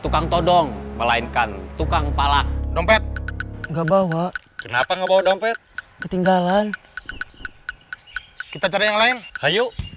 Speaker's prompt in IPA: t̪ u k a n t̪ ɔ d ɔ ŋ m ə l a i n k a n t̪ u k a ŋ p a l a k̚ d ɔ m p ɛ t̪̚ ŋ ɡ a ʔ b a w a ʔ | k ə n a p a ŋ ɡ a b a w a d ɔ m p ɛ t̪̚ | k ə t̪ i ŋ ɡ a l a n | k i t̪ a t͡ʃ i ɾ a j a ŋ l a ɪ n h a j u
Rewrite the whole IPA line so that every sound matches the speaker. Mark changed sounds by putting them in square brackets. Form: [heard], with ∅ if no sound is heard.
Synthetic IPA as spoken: t̪ u k a [ŋ] t̪ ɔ d ɔ ŋ m ə l a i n k a n t̪ u k a ŋ p a l a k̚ d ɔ m p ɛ t̪̚ ŋ ɡ a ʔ b a w a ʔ | k ə n a p a ŋ ɡ a b a w a d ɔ m p ɛ t̪̚ | k ə t̪ i ŋ ɡ a l a n | k i t̪ a t͡ʃ [a] ɾ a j a ŋ l a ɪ n h a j u

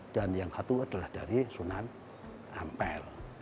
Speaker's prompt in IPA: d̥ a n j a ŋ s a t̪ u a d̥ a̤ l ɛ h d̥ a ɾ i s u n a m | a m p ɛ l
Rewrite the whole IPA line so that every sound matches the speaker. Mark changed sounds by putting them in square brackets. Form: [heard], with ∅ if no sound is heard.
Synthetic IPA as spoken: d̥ a n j a ŋ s a t̪ u a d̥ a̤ l [a] h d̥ a ɾ i s u n a [n] | a m p ɛ l

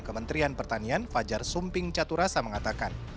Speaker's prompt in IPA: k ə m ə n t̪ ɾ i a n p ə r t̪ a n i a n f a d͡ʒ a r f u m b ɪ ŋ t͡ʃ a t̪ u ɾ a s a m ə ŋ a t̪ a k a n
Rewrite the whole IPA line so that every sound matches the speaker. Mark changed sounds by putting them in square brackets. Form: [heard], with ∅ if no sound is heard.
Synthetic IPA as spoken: k ə m ə n t̪ ɾ i a n p ə r t̪ a n i a n f a d͡ʒ a r [s] u m [p] ɪ ŋ t͡ʃ a t̪ u ɾ a s a m ə ŋ a t̪ a k a n

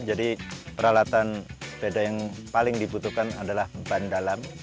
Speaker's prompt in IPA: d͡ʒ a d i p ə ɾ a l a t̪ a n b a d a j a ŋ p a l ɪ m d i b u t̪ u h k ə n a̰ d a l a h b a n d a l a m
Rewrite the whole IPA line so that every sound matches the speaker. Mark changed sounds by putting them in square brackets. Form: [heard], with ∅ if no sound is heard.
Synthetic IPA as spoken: d͡ʒ a d i p ə ɾ a l a t̪ a n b [e] d a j a ŋ p a l ɪ [ŋ] d i b u t̪ u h k [a] n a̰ d a l a h b a n d a l a m

